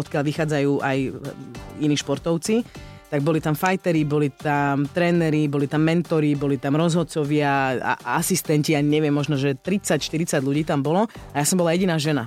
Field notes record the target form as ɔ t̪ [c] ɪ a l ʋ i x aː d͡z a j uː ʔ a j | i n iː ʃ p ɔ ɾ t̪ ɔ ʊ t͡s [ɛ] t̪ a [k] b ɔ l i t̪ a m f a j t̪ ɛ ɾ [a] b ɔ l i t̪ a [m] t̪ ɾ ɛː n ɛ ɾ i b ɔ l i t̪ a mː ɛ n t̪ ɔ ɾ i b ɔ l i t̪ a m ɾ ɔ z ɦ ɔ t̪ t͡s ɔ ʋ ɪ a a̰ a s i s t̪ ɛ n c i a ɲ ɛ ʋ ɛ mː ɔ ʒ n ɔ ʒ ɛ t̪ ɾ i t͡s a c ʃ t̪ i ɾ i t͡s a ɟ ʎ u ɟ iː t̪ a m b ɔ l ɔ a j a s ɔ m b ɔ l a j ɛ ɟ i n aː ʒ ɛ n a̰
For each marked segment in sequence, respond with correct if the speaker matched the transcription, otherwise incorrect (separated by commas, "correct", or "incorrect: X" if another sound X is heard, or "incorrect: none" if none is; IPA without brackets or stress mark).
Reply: incorrect: k, incorrect: i, incorrect: ɡ, incorrect: i, correct